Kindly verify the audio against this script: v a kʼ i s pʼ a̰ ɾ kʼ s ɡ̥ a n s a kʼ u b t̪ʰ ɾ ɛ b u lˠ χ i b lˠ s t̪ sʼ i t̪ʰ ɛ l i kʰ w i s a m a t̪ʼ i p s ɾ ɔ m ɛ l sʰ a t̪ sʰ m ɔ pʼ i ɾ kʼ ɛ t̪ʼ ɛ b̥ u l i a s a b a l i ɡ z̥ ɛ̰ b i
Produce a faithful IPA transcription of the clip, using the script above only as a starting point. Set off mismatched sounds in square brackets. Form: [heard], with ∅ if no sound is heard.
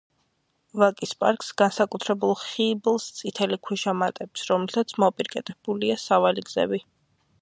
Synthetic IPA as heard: v a kʼ i s pʼ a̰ ɾ kʼ s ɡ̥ a n s a kʼ u [∅] t̪ʰ ɾ ɛ b u lˠ χ i b lˠ s t̪ sʼ i t̪ʰ ɛ l i kʰ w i [ʃ] a m a t̪ʼ [ɛ] p s ɾ ɔ m ɛ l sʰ a t̪ sʰ m ɔ pʼ i ɾ kʼ ɛ t̪ʼ ɛ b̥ u l i a s a [v] a l i ɡ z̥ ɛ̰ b i